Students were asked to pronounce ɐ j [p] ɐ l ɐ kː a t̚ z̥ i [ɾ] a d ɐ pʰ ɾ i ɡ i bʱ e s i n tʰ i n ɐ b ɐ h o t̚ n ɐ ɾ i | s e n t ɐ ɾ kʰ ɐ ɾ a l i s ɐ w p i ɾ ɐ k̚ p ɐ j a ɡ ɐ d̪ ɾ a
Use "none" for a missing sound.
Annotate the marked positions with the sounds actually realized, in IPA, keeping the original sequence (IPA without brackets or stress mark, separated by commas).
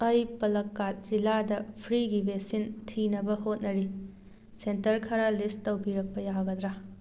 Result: p, l